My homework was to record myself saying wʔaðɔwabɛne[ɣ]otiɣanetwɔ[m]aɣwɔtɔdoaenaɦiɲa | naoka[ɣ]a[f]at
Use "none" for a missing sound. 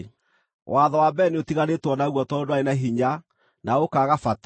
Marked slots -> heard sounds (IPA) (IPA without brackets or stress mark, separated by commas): none, n, ɣ, f